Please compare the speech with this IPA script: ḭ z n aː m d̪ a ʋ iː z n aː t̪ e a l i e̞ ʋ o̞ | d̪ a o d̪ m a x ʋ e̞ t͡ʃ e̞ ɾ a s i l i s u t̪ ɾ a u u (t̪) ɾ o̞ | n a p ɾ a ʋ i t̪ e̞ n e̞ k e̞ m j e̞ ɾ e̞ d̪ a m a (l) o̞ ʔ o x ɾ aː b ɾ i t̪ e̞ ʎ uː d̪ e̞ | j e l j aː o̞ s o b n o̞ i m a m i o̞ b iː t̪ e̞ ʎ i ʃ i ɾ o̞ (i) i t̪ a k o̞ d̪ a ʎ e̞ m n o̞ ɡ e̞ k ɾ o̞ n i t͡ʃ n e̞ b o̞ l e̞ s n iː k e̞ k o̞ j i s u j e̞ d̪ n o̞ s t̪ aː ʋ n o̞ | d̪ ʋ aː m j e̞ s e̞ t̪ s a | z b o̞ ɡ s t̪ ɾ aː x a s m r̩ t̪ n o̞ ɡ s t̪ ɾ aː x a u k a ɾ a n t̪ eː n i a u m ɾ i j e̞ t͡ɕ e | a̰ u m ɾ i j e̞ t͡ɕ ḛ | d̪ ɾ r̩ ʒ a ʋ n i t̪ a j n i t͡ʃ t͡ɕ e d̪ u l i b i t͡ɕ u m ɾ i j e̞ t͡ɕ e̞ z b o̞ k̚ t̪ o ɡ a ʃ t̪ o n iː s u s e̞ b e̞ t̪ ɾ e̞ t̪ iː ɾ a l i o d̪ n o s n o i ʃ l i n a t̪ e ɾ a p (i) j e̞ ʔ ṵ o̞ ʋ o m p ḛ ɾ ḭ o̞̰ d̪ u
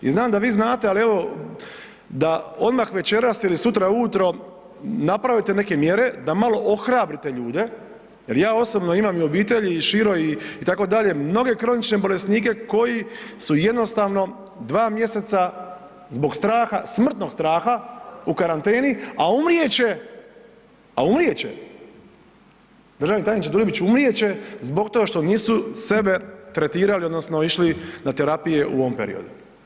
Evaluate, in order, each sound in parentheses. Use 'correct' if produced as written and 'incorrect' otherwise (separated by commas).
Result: correct, correct, correct, correct